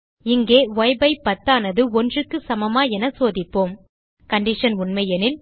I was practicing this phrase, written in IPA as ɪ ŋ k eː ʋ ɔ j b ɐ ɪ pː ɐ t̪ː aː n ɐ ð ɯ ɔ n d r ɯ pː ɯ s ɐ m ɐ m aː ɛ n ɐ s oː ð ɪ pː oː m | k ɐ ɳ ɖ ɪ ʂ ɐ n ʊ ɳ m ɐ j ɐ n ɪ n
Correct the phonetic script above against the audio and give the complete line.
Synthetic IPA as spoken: ɪ ŋ ɡ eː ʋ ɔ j b ɐ ɪ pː ɐ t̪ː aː n ɐ ð ɯ ɔ n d r ɯ kː ɯ s ɐ m ɐ m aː ɛ n ɐ s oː ð ɪ pː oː m | k ɐ ɳ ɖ ɪ ʂ ɐ n ʊ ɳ m ɐ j ɐ n ɪ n